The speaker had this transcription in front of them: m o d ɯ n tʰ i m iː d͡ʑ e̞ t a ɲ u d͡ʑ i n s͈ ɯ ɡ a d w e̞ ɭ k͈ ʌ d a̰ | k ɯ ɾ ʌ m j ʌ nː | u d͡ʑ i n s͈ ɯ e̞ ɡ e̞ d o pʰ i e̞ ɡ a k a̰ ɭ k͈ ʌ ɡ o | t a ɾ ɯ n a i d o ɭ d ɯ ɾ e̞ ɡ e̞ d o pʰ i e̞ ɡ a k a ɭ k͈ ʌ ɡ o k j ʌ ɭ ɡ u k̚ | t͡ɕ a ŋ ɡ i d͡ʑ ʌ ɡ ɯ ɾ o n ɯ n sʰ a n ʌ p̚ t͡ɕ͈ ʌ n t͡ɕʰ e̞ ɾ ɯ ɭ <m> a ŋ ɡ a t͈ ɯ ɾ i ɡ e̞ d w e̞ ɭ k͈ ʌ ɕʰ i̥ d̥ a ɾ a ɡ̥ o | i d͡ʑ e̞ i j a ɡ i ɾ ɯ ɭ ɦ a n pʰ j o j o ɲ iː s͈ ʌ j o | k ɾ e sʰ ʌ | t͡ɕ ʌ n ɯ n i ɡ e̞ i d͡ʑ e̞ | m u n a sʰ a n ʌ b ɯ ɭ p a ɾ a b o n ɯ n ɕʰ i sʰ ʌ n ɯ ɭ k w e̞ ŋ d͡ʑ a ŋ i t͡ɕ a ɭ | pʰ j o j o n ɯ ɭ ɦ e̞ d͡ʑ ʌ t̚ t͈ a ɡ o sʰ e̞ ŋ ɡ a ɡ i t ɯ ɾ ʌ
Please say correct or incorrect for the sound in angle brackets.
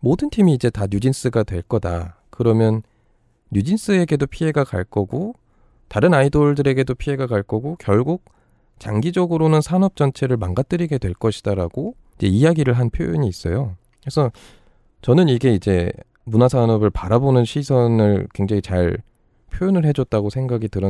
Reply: correct